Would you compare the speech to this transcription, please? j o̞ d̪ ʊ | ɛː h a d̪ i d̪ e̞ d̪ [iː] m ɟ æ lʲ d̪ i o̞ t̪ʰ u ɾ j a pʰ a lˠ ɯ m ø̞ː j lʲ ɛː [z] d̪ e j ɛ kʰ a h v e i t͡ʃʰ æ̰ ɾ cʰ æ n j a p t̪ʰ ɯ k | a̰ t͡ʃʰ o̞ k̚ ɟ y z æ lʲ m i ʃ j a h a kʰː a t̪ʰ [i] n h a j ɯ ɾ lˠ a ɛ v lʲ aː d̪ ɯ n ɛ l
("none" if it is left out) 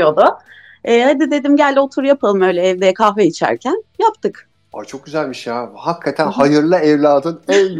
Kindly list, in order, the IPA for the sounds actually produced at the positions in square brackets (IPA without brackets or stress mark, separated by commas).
i, v, æ